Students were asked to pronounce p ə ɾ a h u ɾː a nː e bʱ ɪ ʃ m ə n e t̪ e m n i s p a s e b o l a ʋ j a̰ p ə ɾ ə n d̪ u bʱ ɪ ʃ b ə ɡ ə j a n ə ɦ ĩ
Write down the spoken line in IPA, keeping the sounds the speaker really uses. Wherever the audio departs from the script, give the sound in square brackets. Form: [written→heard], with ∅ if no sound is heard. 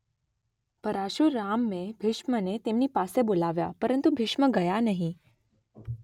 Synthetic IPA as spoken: p ə ɾ a [h→ʃ] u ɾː a [nː→mː] e bʱ ɪ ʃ m ə n e t̪ e m n i [s→∅] p a s e b o l a ʋ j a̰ p ə ɾ ə n [d̪→t̪] u bʱ ɪ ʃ [b→m] ə ɡ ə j a n ə ɦ ĩ